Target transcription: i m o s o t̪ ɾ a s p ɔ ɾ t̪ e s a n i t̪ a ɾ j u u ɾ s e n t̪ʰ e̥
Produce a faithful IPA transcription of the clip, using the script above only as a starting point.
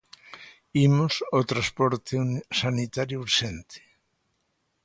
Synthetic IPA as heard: i m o s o t̪ ɾ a s p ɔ ɾ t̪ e s a n i t̪ a ɾ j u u ɾ ʃ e n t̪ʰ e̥

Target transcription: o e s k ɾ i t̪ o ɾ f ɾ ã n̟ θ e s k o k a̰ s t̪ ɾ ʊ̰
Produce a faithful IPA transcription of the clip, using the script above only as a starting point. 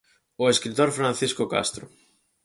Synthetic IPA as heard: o e s k ɾ i t̪ o ɾ f ɾ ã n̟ θ i s k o k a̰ s t̪ ɾ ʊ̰

